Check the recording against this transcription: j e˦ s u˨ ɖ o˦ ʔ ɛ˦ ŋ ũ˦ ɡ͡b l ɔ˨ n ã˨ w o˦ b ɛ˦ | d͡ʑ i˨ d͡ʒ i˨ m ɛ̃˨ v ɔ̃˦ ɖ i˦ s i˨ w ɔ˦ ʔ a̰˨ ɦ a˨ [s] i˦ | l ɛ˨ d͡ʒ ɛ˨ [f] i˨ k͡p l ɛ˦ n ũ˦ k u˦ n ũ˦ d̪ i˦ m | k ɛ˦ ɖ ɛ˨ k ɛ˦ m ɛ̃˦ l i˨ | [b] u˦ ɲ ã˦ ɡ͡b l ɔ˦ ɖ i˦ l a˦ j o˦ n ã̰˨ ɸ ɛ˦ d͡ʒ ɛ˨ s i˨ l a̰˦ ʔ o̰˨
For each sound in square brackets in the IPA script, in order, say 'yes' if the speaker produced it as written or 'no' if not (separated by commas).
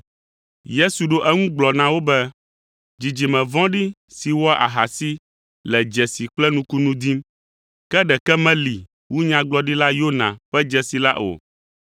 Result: yes, no, no